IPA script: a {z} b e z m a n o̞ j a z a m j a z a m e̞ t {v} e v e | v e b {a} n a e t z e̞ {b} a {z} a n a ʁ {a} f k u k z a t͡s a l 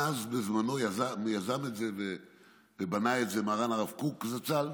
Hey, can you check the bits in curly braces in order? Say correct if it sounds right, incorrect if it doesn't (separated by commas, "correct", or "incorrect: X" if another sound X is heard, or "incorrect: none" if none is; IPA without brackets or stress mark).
correct, incorrect: z, correct, incorrect: m, incorrect: ʁ, correct